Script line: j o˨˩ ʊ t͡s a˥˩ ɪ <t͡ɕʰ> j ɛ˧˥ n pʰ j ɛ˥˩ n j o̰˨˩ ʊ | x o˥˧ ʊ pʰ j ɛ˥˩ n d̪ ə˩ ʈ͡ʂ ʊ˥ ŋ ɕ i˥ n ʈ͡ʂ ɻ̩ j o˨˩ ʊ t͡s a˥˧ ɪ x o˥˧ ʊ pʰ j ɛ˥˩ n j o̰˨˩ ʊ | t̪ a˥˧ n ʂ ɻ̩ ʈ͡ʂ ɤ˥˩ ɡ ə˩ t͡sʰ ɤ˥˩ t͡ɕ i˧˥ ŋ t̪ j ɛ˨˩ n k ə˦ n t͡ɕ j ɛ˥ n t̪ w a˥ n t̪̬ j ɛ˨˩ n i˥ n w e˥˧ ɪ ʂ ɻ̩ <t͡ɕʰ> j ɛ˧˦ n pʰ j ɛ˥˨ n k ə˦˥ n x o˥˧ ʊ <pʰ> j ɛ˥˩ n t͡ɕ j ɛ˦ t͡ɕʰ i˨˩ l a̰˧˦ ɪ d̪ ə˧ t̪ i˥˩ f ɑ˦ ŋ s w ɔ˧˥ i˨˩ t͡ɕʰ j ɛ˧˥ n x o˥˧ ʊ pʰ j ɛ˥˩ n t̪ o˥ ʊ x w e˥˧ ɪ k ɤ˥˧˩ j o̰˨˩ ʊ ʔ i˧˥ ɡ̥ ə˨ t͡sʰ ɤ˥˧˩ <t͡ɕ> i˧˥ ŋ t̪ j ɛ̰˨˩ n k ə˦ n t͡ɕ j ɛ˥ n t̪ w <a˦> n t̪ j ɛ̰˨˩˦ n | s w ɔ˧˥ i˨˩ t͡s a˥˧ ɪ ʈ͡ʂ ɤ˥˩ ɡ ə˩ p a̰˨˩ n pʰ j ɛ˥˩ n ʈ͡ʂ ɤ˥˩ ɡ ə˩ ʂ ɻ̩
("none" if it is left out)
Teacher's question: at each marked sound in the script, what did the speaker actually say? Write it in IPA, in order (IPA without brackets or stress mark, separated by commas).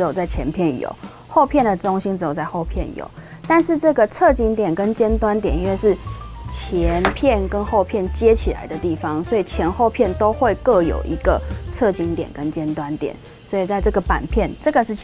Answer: t͡ɕʰ, t͡ɕʰ, pʰ, t͡ɕ, a˦